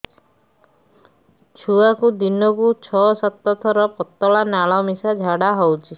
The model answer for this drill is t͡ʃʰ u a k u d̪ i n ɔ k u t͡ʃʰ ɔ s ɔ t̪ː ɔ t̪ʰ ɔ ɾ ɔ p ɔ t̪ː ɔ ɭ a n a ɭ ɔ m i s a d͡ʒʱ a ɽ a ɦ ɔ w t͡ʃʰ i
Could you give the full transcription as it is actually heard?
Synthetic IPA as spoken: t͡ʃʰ u a k u d̪ i n ɔ k u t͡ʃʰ ɔ s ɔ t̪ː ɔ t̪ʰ ɔ ɾ ɔ p ɔ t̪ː ɔ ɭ a n a ɭ ɔ m i s a d͡ʒʱ a ɽ a ɦ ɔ w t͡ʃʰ i